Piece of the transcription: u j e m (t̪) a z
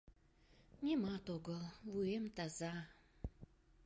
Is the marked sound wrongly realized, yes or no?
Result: no